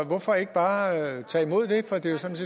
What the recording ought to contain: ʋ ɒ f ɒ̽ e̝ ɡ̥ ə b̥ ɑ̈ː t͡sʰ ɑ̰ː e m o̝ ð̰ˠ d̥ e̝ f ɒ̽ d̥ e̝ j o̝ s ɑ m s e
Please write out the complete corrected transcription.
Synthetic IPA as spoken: ʋ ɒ f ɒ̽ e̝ ɡ̥ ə b̥ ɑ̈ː t͡sʰ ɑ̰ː i m o̝ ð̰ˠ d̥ e̝ f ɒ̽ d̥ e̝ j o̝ s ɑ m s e